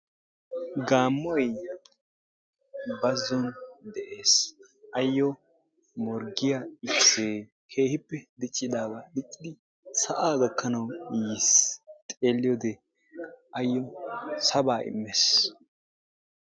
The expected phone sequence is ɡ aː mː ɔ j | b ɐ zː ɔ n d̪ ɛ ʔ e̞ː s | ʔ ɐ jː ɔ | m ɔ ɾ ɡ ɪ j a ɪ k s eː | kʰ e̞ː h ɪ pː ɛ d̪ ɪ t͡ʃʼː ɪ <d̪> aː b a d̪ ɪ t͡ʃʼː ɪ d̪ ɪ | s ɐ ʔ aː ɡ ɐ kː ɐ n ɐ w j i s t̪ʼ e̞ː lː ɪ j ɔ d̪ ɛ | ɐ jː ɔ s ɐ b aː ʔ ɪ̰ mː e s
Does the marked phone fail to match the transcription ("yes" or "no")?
no